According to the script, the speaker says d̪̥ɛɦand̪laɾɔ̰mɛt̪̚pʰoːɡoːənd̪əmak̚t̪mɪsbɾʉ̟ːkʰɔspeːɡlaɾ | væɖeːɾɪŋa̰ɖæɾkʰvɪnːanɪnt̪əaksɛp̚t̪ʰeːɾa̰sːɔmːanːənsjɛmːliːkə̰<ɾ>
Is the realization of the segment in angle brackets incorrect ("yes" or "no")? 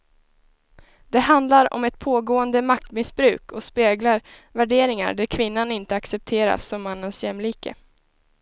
yes